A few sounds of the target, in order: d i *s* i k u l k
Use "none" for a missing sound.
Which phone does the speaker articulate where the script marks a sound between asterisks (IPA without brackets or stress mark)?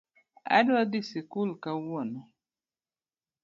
s